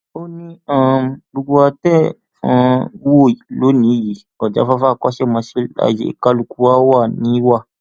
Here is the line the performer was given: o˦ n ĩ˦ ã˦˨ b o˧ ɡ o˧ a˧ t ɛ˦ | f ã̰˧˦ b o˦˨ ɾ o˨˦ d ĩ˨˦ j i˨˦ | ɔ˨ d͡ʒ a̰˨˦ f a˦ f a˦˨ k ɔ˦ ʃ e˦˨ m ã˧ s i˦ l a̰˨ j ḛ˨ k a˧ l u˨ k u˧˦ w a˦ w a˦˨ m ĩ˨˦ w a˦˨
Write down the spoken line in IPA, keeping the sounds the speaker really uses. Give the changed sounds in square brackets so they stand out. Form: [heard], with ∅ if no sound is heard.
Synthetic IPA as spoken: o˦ n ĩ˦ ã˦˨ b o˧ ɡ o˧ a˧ t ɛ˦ | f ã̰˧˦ [w] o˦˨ [l] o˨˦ [n] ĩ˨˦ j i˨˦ | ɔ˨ d͡ʒ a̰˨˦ f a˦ f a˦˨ k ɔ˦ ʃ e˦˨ m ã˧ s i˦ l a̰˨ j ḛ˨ k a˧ l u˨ k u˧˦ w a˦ w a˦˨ [n] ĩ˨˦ w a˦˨

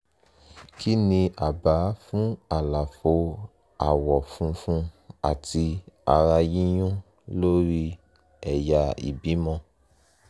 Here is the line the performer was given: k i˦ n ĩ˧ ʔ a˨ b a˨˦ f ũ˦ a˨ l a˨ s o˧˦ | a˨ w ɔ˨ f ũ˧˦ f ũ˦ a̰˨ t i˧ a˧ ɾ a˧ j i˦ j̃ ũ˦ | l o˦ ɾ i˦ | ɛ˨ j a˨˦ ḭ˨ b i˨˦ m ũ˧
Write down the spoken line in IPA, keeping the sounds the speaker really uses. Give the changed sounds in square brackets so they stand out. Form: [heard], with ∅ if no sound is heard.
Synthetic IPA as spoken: k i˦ n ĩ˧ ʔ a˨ b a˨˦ f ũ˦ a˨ l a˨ [f] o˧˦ | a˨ w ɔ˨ f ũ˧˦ f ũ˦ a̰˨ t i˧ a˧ ɾ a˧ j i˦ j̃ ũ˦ | l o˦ ɾ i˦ | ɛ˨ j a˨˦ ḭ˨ b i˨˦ m [ɔ̃˧]

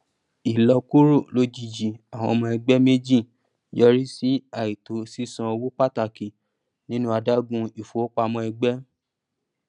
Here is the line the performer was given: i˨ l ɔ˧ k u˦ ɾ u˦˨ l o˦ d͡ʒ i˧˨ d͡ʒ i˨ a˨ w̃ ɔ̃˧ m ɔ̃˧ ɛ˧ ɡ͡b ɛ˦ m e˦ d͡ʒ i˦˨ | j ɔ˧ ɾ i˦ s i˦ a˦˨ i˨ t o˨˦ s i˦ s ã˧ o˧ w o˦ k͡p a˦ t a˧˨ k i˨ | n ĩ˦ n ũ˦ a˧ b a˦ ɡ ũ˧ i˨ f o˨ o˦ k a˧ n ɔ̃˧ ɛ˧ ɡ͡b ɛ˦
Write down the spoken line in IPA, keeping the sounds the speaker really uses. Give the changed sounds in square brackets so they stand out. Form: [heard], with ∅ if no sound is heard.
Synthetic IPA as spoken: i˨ l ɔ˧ k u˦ ɾ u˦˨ l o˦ d͡ʒ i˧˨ d͡ʒ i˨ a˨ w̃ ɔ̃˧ m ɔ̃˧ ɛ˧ ɡ͡b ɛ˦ m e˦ d͡ʒ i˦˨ | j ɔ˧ ɾ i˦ s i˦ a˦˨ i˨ t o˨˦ s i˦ s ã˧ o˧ w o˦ k͡p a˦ t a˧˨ k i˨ | n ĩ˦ n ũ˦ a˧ [d] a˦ ɡ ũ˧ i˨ f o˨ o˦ [k͡p] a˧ [m] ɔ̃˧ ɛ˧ ɡ͡b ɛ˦

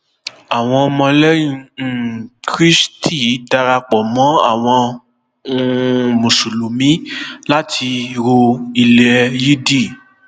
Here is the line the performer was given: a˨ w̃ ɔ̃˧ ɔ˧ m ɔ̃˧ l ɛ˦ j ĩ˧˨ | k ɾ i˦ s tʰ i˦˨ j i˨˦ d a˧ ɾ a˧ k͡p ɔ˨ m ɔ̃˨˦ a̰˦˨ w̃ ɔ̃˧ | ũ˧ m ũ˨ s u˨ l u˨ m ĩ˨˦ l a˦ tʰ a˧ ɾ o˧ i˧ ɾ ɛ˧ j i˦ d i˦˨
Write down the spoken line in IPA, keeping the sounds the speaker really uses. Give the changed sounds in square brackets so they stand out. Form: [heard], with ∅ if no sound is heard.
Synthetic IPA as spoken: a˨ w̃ ɔ̃˧ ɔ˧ m ɔ̃˧ l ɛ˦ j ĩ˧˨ | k ɾ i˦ s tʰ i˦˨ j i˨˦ d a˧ ɾ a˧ k͡p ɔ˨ m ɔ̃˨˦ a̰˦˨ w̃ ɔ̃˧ | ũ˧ m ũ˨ s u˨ l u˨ m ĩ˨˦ l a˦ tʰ [i˧] ɾ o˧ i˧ [l] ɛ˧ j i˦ d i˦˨

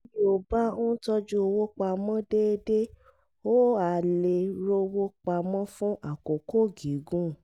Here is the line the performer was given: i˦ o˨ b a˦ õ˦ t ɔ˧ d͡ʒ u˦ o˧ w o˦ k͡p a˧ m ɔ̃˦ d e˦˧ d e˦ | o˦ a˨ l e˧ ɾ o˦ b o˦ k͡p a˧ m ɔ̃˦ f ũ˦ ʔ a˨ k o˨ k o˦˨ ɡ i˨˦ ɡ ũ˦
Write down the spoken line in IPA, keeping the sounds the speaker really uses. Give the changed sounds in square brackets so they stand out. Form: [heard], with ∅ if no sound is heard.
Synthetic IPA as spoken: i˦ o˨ b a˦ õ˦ t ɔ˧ d͡ʒ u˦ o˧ w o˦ k͡p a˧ m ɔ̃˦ d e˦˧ d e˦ | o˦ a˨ l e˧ ɾ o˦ [w] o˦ k͡p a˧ m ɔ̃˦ f ũ˦ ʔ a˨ k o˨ k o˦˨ ɡ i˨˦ ɡ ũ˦

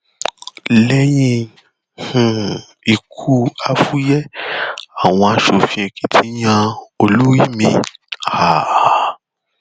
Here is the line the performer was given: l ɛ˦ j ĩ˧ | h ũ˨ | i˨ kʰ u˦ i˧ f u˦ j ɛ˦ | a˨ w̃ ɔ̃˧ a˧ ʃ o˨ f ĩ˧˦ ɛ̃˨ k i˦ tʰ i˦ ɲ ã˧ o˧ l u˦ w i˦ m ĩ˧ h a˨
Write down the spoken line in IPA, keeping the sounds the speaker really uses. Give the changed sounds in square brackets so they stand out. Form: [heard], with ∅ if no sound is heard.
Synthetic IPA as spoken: l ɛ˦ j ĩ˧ | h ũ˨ | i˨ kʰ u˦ [a˧] f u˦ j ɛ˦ | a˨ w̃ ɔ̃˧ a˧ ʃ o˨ f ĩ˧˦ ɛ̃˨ k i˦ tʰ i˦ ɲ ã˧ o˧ l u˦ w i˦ m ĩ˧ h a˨

